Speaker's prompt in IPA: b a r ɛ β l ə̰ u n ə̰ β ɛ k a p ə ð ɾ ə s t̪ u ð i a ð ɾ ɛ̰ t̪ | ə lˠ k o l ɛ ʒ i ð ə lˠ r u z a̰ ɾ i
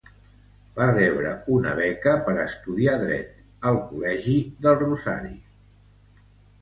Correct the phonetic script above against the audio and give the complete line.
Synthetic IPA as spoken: b a r ɛ β ɾ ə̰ u n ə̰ β ɛ k ə p ə ɾ ə s t̪ u ð i a ð ɾ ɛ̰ t̪ | ə lˠ k u l ɛ ʒ i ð ə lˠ r u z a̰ ɾ i

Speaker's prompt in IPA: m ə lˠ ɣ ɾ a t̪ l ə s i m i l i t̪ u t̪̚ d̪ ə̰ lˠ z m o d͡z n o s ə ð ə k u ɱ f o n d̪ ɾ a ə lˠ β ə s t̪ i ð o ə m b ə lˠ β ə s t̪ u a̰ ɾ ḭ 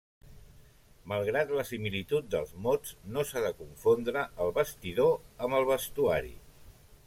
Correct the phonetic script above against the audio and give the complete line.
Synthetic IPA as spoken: m ə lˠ ɣ ɾ a t̪ l ə s i m i l i t̪ u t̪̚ d̪ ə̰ lˠ z m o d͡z n o s a ð ə k u ɱ f o n d̪ ɾ ə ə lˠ β ə s t̪ i ð o ə m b ə lˠ β ə s t̪ u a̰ ɾ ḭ

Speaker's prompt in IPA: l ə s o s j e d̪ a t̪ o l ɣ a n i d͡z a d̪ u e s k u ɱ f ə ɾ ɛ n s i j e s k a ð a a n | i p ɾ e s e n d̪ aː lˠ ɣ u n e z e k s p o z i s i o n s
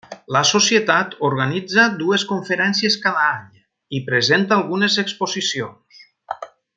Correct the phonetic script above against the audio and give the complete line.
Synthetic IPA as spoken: l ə s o s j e t̪ a t̪ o ɾ ɣ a n i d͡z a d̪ u e s k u ɱ f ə ɾ ɛ n s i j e s k a ð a a ɲ | i p ɾ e z e n t̪ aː lˠ ɣ u n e z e k s p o z i s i o n s

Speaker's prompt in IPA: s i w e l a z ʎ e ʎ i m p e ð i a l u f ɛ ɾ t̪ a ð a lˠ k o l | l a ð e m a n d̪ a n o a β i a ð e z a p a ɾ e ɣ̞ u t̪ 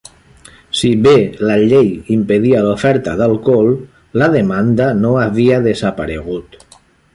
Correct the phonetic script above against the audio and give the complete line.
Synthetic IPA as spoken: s i β e l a ʎ e j i m p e ð i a l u f ɛ ɾ t̪ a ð a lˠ k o l | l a ð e m a n d̪ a n o a β i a ð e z a p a ɾ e ɣ̞ u t̪

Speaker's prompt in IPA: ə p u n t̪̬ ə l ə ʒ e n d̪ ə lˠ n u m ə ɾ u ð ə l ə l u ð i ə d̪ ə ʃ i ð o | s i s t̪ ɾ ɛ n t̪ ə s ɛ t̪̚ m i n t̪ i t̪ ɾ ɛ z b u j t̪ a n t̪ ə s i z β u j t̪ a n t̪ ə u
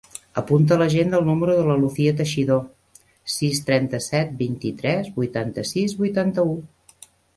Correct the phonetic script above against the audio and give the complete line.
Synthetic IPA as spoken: ə p u n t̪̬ ə l ə ʒ e n d̪ ə lˠ n u m ə ɾ u ð ə l ə l u θ i ə t̪ ə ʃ i ð o | s i s t̪ ɾ ɛ n t̪ ə s ɛ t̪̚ b i n t̪ i t̪ ɾ ɛ z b u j t̪ a n t̪ ə s i z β u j t̪ a n t̪ ə u

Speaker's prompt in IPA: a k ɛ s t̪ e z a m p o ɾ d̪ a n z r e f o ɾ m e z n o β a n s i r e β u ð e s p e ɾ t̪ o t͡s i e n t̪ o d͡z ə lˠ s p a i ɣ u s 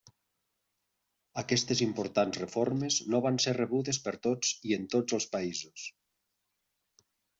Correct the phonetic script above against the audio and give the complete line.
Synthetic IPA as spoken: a k ɛ s t̪ e z i m p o ɾ t̪ a n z r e f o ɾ m e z n o β a n s e r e β u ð e s p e ɾ t̪ o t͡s i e n t̪ o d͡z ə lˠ s p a i z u s

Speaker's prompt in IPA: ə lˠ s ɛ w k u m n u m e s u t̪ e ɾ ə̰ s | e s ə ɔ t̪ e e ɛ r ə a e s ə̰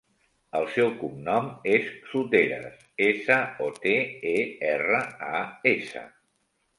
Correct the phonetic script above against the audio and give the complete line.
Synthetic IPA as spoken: ə lˠ s ɛ w k u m n ɔ m e sː u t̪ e ɾ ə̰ s | e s ə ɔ t̪ e e ɛ r ə a e s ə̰

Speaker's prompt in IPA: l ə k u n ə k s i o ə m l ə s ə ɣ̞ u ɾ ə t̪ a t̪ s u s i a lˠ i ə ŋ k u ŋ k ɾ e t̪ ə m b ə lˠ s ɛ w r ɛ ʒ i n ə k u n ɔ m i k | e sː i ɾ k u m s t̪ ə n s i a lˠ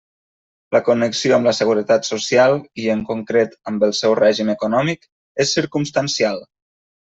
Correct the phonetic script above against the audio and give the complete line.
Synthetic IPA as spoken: l ə k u n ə k s i o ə m l ə s ə ɣ̞ u ɾ ə t̪ a t̪ s u s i a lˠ i ə ŋ k u ŋ k ɾ e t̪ ə m b ə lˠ s ɛ w r ɛ ʒ i m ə k u n ɔ m i k | e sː i ɾ k u m s t̪ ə n s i a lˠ

